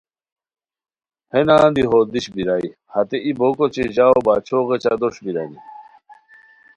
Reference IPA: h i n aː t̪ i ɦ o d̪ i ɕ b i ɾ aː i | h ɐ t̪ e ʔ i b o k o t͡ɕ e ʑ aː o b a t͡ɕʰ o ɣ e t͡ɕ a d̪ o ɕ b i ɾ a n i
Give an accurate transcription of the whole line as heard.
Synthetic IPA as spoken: h e n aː d̪ i ɦ o d̪ i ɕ b i ɾ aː i | h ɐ t̪ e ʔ i b o k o t͡ɕ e ʑ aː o b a t͡ɕʰ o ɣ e t͡ɕ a d̪ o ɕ b i ɾ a n i